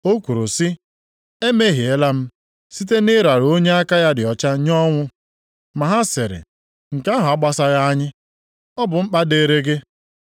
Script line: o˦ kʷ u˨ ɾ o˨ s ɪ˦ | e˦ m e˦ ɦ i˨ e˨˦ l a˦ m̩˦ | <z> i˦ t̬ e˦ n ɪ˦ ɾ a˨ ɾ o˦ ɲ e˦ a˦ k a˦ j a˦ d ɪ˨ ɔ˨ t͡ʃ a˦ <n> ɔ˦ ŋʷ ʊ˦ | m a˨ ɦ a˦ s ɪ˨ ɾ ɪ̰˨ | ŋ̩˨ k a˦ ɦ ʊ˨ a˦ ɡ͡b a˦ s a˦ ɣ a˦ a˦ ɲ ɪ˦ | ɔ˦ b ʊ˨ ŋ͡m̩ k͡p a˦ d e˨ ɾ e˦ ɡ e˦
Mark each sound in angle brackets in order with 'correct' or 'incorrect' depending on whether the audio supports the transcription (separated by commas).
incorrect, incorrect